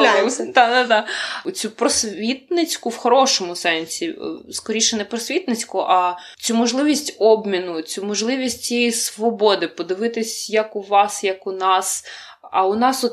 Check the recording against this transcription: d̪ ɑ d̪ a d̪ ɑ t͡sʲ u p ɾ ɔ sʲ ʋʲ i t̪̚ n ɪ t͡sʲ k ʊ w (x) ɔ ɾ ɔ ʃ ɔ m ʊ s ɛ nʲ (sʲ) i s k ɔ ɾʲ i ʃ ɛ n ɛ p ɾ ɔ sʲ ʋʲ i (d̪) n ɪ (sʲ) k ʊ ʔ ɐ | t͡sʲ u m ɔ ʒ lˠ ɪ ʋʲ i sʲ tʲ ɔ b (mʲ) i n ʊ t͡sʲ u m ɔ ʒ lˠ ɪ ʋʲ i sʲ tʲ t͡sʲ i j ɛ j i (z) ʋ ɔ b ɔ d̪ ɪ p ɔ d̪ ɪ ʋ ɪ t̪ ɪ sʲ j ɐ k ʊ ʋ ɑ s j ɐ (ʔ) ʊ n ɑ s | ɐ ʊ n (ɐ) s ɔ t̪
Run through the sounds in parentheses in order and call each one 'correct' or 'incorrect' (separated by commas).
correct, correct, incorrect, incorrect, correct, incorrect, incorrect, incorrect